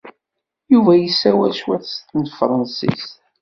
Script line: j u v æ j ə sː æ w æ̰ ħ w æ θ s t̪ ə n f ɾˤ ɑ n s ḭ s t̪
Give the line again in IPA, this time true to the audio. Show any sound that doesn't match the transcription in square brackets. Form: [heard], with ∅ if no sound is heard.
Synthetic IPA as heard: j u v æ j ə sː æ w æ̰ [ʃ] w æ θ s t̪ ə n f ɾˤ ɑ n s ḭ s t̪